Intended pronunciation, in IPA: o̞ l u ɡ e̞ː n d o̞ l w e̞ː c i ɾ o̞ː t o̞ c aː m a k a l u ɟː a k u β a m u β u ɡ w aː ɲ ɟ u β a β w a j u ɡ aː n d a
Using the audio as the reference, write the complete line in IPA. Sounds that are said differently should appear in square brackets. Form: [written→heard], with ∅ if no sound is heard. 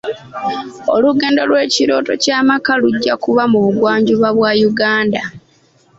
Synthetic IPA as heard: o̞ l u ɡ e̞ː n d o̞ l w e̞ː c i ɾ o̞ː t o̞ c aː m a k a l u ɟː a k u β a m u β u ɡ w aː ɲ ɟ u β a β w a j u ɡ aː n d a